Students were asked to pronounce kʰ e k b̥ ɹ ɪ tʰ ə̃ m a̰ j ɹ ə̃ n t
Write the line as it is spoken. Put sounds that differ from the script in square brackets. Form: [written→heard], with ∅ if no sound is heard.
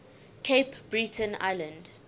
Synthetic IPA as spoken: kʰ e [k→p] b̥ ɹ [ɪ→i] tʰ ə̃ [m→n] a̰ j [ɹ→l] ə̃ n [t→d]